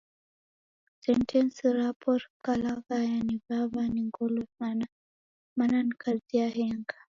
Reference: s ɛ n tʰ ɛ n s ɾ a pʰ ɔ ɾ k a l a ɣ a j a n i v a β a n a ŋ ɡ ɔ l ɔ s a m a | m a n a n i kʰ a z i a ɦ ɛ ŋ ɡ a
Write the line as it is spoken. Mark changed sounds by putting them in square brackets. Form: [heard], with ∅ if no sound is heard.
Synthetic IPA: s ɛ n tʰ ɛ n s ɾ a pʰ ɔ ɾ k a l a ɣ a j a n i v a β a n [i] ŋ ɡ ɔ l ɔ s a [n] a | m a n a n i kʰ a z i a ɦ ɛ ŋ ɡ a

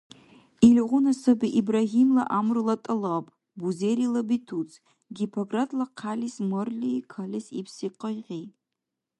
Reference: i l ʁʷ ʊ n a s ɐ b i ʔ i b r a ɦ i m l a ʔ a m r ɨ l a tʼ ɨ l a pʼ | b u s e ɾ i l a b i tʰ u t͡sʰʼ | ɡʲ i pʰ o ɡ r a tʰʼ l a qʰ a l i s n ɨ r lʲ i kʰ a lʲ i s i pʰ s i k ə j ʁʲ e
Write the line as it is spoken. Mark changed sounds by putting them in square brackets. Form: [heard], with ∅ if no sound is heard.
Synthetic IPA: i l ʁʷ ʊ n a s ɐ b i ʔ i b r a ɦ i m l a ʔ a m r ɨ l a tʼ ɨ l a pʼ | b u [z] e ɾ i l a b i tʰ u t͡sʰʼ | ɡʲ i pʰ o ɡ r a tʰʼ l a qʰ a l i s [m] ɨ r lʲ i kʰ a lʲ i s i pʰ s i [q] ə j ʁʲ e

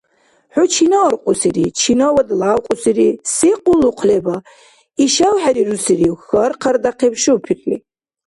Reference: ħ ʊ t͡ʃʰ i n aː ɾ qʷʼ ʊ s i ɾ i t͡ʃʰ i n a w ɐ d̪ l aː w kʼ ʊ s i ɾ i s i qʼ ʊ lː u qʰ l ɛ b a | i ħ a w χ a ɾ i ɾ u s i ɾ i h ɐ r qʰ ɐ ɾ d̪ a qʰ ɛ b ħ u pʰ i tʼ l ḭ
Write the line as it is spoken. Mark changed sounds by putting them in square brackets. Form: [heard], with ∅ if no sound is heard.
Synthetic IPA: ħ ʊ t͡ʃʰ i n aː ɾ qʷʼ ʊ s i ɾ i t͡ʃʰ i n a w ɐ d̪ l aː w [qʼ] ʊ s i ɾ i s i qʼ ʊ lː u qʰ l ɛ b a | i [ʃ] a w [ħ] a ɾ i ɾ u s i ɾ i [x] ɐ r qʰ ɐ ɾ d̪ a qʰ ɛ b [ʃ] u pʰ i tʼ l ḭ

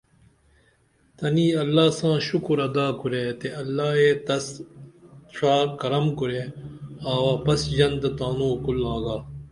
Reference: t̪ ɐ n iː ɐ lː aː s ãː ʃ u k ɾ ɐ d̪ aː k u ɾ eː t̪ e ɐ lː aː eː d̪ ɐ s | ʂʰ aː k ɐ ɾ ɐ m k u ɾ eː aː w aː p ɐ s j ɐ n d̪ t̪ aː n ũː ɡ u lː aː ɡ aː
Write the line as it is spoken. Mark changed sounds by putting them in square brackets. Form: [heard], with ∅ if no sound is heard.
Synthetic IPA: t̪ ɐ n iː ɐ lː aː s ãː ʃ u k ɾ ɐ d̪ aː k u ɾ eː t̪ e ɐ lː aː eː [t̪] ɐ s | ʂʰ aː k ɐ ɾ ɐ m k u ɾ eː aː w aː p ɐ s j ɐ n d̪ t̪ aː n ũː [k] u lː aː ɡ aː

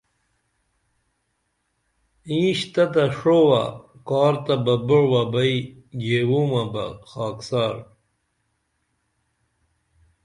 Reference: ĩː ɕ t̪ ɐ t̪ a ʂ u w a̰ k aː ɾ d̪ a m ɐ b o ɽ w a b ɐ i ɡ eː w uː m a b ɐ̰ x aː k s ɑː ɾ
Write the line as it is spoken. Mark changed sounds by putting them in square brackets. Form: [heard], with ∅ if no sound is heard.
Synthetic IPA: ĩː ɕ t̪ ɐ t̪ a ʂ [o] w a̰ k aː ɾ [t̪] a [b] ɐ b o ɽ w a b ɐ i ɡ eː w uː m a b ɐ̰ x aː k s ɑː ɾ

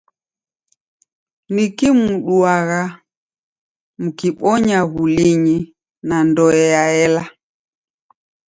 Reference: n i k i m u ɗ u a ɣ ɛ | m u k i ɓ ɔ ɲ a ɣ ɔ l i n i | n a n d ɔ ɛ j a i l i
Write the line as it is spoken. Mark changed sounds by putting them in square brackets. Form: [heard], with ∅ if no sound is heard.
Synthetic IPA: n i k i m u ɗ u a ɣ [a] | m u k i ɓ ɔ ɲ a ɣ [u] l i [ɲ] i | n a n d ɔ ɛ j a [ɛ] l [a]

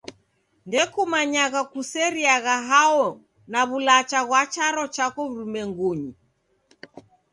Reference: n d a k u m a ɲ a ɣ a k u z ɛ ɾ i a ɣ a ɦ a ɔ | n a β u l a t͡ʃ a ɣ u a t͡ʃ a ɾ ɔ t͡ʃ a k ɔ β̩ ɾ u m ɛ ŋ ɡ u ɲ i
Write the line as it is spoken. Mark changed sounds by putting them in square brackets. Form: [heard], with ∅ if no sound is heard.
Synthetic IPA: n d [ɛ] k u m a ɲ a ɣ a k u [s] ɛ ɾ i a ɣ a ɦ a ɔ | n a β u l a t͡ʃ a ɣ [w] a t͡ʃ a ɾ ɔ t͡ʃ a k ɔ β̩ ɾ u m ɛ ŋ ɡ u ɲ i

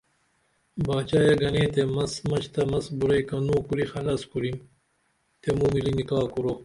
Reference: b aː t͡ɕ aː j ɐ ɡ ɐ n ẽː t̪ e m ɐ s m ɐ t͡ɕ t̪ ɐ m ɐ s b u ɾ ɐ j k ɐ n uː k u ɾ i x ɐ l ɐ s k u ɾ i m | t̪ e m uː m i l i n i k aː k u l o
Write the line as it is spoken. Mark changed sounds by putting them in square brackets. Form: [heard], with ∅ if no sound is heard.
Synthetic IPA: b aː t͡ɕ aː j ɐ ɡ ɐ n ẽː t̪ e m ɐ s m ɐ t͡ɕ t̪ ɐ m ɐ s b u ɾ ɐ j k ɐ n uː k u ɾ i x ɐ l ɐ s k u ɾ i m | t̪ e m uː m i l i n i k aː k u [ɾ] o

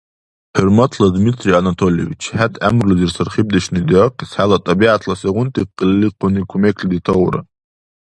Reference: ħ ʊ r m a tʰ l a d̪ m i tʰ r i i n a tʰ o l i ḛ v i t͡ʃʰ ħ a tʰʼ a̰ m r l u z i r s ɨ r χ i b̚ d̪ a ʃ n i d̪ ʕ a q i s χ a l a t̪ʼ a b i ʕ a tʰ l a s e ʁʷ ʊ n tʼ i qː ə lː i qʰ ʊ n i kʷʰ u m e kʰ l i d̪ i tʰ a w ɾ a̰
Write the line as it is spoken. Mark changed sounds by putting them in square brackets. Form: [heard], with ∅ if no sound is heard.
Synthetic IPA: ħ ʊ r m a tʰ l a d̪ m i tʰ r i [a] n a tʰ o l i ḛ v i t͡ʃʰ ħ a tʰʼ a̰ m r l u z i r s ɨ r χ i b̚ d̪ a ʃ n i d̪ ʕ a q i s [ħ] a l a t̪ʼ a b i ʕ a tʰ l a s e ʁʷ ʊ n tʼ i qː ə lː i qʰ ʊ n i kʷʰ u m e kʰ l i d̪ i tʰ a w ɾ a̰

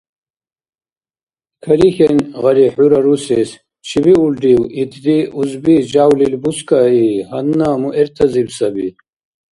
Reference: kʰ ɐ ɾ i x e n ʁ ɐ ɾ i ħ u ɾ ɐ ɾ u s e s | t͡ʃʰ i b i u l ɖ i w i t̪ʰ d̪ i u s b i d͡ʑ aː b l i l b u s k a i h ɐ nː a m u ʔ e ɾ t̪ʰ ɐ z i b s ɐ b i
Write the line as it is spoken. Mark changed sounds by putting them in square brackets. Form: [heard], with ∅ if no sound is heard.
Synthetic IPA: kʰ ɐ ɾ i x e n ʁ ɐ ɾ i ħ u ɾ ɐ ɾ u s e s | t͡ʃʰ i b i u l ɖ i w i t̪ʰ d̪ i u [z] b i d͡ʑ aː [w] l i l b u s k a i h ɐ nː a m u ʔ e ɾ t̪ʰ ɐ z i b s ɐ b i

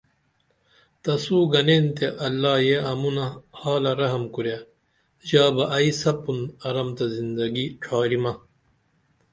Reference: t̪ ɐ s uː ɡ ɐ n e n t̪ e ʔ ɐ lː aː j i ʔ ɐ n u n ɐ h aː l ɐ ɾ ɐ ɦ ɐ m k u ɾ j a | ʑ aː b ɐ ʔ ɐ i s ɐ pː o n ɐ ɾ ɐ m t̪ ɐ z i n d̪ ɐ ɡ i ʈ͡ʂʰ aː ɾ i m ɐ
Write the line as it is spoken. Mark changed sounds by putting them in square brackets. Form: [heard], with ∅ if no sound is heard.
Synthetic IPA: t̪ ɐ s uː ɡ ɐ n e n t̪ e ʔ ɐ lː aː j [e] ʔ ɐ [m] u n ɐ h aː l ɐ ɾ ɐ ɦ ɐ m k u ɾ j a | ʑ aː b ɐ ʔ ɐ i s ɐ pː [u] n ɐ ɾ ɐ m t̪ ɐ z i n d̪ ɐ ɡ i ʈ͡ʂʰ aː ɾ i m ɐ

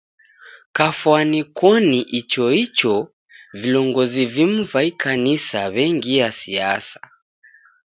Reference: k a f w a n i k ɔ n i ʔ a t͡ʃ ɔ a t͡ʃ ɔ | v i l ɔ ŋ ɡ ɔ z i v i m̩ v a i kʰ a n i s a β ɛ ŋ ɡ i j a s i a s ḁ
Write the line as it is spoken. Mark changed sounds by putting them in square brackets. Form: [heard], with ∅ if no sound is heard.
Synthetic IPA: k a f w a n i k ɔ n i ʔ [i] t͡ʃ ɔ [i] t͡ʃ ɔ | v i l ɔ ŋ ɡ ɔ z i v i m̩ v a i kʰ a n i s a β ɛ ŋ ɡ i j a s i a s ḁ

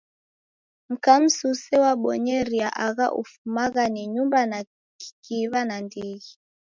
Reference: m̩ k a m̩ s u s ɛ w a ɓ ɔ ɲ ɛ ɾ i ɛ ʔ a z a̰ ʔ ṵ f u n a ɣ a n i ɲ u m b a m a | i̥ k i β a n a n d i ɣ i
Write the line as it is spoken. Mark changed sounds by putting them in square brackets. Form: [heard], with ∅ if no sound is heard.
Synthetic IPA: m̩ k a m̩ s u s ɛ w a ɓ ɔ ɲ ɛ ɾ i [a] ʔ a [ɣ] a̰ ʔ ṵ f u [m] a ɣ a n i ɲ u m b a [n] a | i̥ k i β a n a n d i ɣ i

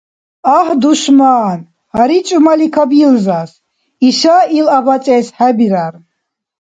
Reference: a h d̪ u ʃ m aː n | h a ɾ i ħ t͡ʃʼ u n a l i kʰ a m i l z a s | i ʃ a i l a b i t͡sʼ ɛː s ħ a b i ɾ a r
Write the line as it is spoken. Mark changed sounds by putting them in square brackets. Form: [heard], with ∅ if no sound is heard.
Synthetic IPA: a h d̪ u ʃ m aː n | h a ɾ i [∅] t͡ʃʼ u [m] a l i kʰ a [b] i l z a s | i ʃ a i l a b [a] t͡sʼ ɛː s ħ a b i ɾ a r

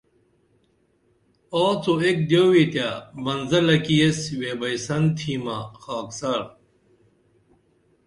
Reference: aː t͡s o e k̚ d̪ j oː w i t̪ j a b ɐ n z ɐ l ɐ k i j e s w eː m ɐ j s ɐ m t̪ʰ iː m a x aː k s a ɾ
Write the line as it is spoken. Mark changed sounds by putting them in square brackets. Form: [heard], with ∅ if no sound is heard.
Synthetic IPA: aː t͡s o e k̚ d̪ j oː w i t̪ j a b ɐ n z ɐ l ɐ k i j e s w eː [b] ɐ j s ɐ [n] t̪ʰ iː m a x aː k s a ɾ

